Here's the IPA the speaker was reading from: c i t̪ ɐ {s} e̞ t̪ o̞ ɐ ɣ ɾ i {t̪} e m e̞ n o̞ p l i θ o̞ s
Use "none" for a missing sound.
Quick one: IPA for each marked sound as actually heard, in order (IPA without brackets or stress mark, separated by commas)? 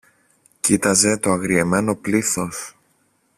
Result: z, none